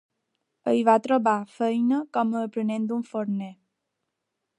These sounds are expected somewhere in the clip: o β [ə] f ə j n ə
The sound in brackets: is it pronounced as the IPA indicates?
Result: no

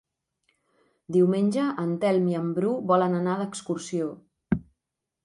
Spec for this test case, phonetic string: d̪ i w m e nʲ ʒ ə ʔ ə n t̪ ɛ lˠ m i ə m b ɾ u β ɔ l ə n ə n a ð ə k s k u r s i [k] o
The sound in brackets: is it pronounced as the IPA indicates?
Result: no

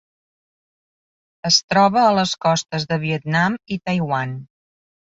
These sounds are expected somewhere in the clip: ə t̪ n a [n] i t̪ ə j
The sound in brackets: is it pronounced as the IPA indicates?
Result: no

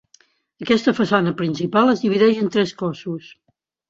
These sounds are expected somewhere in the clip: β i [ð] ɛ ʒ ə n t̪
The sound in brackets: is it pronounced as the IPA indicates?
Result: yes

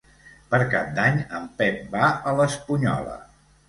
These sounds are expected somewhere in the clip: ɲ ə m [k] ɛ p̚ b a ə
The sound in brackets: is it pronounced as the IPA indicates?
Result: no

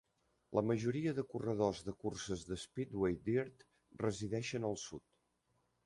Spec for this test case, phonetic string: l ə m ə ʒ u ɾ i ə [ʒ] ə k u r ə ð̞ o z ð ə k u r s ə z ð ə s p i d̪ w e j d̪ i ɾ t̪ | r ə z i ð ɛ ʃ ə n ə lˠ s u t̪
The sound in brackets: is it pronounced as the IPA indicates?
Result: no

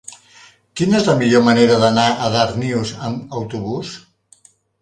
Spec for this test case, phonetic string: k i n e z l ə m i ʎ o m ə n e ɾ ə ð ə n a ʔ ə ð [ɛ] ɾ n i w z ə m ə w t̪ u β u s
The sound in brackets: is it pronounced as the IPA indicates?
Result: no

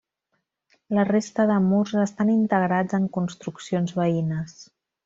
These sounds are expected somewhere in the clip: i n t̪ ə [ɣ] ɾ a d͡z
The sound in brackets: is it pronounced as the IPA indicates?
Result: yes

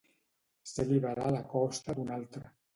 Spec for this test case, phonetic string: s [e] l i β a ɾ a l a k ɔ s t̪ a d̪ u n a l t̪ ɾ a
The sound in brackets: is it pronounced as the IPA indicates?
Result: yes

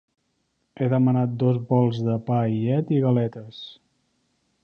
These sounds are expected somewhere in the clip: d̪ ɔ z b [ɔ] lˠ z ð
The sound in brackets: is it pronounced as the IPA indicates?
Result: yes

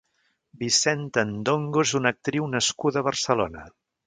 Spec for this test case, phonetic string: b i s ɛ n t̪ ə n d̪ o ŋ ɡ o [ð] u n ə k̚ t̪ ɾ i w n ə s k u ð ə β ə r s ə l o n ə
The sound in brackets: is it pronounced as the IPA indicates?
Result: no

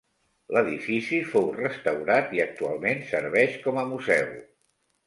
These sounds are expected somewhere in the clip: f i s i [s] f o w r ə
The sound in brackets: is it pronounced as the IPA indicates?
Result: no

